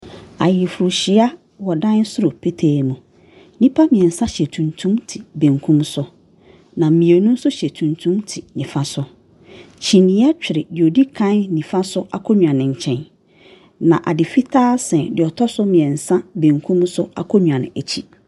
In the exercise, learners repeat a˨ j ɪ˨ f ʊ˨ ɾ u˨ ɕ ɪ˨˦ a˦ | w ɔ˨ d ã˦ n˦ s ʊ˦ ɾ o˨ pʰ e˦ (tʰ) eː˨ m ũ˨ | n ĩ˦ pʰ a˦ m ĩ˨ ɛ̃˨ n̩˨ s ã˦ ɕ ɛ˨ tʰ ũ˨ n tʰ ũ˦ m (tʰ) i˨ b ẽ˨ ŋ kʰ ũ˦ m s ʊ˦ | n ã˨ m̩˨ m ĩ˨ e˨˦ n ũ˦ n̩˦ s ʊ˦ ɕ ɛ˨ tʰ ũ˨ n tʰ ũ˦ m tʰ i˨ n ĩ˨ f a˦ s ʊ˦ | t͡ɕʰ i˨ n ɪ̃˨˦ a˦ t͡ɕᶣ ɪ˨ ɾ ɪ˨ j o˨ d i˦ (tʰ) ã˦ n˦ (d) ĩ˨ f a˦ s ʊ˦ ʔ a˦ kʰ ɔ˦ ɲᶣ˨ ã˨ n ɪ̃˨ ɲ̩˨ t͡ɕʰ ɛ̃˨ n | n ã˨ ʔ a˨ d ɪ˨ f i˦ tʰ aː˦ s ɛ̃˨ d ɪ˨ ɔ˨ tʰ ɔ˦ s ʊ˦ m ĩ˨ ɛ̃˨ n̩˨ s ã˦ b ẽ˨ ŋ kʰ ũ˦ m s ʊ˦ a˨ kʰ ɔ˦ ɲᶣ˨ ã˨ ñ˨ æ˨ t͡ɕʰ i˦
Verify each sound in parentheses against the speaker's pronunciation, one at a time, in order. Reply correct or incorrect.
correct, correct, incorrect: kʰ, incorrect: n

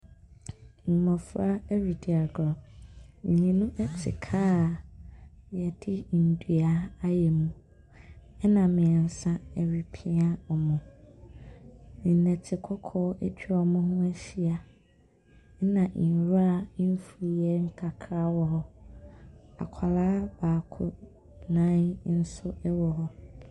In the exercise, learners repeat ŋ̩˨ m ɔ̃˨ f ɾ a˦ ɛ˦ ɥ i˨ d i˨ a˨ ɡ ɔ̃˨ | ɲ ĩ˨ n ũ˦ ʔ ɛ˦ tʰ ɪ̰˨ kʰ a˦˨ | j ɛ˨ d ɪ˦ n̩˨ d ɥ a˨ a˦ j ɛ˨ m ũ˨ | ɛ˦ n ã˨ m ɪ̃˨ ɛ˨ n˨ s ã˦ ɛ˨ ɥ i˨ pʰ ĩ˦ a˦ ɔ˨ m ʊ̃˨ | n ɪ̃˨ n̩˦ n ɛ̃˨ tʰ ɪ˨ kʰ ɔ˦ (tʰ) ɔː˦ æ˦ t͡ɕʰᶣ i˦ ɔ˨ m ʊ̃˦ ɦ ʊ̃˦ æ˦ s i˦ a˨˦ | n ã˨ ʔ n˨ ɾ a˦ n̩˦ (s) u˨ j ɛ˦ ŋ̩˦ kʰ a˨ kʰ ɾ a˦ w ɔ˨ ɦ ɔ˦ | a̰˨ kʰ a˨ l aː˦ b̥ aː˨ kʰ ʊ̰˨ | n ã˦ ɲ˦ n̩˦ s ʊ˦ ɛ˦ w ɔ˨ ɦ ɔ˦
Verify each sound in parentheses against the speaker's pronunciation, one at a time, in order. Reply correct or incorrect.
incorrect: kʰ, incorrect: f

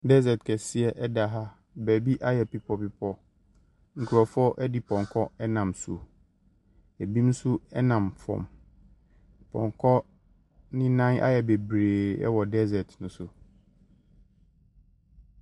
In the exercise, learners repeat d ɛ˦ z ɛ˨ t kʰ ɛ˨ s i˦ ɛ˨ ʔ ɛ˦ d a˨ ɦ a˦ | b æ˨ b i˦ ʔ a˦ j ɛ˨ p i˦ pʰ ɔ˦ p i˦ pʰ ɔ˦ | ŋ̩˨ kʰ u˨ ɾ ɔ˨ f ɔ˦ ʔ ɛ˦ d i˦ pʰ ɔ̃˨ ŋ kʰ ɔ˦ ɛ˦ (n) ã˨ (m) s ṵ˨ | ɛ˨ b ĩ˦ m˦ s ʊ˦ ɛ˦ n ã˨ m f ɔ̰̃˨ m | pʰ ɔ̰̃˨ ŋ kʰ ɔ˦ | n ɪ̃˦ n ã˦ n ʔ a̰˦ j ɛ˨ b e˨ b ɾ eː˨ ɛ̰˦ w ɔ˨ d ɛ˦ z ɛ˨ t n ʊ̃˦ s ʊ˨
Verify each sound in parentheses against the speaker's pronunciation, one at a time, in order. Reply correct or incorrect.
correct, correct

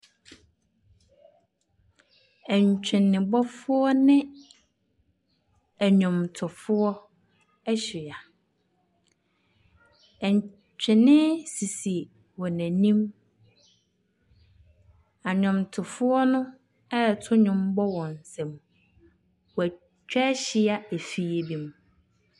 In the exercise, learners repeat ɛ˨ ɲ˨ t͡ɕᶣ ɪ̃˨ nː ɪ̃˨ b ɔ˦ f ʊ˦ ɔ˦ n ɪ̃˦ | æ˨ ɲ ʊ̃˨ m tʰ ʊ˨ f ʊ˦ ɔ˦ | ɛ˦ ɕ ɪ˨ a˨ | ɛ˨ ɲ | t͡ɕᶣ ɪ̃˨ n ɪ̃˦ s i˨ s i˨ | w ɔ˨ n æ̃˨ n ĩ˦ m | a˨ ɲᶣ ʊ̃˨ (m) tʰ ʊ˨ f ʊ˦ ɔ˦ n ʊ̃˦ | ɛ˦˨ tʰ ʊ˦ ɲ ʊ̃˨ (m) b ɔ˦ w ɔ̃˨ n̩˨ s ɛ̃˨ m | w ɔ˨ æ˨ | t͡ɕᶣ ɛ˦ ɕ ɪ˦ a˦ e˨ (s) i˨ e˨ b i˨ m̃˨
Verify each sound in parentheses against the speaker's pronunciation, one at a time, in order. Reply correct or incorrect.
correct, correct, incorrect: f

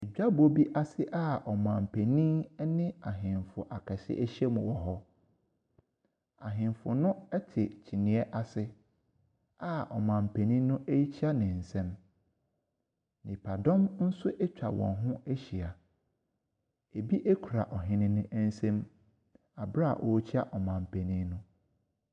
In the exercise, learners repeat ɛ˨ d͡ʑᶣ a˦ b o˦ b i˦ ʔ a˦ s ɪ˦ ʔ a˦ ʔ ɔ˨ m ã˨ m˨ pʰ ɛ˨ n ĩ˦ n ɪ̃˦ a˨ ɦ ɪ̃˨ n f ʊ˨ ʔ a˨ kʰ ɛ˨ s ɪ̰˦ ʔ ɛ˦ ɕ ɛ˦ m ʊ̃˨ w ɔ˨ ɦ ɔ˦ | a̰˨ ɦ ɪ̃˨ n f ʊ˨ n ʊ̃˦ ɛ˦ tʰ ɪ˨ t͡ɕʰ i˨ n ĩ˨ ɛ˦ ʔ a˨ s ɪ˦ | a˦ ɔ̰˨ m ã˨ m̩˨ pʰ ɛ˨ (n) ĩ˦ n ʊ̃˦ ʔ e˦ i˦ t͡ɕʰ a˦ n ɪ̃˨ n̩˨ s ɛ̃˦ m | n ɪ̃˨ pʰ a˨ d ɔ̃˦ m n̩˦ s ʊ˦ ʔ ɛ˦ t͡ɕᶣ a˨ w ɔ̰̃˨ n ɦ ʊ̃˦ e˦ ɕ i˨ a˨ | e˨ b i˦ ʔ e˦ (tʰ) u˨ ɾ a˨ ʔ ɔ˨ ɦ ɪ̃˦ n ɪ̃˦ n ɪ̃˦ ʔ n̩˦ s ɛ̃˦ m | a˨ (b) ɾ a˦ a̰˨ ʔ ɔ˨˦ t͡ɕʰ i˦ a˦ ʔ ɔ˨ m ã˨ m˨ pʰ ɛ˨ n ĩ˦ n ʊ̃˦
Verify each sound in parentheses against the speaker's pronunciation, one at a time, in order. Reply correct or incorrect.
correct, incorrect: kʰ, correct

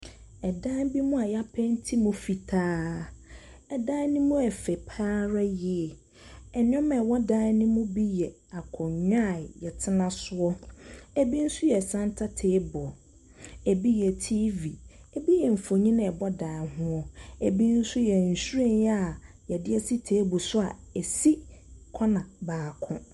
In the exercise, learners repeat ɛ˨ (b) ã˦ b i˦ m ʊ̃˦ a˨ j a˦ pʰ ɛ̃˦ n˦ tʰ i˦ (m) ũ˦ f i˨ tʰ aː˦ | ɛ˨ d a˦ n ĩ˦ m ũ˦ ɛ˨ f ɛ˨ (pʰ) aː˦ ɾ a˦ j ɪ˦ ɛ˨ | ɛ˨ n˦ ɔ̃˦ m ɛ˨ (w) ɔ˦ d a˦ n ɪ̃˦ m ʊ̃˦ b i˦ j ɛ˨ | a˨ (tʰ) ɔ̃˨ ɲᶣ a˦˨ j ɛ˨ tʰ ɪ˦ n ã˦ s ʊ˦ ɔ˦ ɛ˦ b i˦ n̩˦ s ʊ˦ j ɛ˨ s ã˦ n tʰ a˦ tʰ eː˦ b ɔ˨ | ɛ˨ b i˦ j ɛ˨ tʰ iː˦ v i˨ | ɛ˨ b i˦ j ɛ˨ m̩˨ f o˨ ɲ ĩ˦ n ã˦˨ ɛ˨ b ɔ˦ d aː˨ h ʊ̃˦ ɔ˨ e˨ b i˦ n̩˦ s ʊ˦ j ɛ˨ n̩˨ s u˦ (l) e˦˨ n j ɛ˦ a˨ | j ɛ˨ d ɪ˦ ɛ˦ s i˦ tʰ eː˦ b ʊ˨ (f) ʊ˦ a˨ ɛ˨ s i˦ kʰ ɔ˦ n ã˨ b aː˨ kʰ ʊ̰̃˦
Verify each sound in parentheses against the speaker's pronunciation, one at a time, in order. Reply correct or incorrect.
incorrect: d, correct, correct, correct, incorrect: kʰ, incorrect: ɾ, incorrect: s

